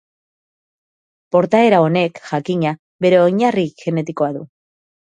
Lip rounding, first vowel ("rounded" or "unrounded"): rounded